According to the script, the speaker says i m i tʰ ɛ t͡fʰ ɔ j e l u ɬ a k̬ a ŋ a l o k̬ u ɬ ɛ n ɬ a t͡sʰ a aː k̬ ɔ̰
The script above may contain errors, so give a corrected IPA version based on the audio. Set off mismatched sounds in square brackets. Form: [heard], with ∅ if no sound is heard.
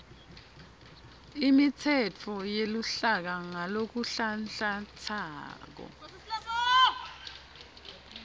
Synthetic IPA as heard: i m i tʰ ɛ t͡fʰ ɔ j e l u ɬ a k̬ a ŋ a l o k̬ u ɬ [a] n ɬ a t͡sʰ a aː k̬ ɔ̰